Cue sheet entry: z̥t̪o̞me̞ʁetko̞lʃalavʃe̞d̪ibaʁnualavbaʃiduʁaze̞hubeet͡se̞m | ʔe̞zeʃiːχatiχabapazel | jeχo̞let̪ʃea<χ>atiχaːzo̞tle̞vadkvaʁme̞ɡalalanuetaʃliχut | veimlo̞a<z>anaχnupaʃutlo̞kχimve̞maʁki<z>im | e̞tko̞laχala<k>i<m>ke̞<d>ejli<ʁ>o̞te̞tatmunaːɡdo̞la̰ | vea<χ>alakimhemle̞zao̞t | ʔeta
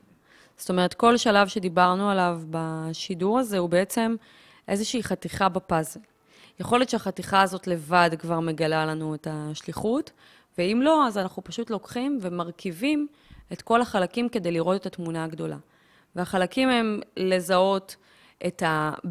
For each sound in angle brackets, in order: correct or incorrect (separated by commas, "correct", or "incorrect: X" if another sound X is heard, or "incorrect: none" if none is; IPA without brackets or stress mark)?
correct, correct, incorrect: v, correct, correct, correct, correct, correct